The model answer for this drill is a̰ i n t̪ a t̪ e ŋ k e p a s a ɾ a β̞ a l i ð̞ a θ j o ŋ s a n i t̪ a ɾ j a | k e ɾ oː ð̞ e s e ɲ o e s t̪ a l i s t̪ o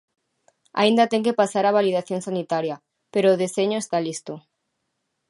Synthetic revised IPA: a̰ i n d̪ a t̪ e ŋ k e p a s a ɾ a β̞ a l i ð̞ a θ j o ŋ s a n i t̪ a ɾ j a | p e ɾ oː ð̞ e s e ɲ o e s t̪ a l i s t̪ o